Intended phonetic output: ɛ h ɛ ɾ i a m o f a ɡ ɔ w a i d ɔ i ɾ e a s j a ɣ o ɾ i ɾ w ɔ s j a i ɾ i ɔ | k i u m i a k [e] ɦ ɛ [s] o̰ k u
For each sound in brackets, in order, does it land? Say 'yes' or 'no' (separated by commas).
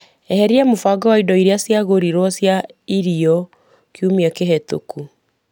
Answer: yes, no